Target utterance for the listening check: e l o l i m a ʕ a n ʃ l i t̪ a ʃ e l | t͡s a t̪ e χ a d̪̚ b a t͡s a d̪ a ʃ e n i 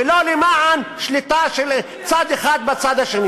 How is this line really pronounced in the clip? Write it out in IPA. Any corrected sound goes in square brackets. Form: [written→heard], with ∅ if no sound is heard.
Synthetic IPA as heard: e l o l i m a ʕ a n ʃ l i t̪ a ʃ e l | t͡s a [t̪→d̪] e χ a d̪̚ b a t͡s a d̪ a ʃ e n i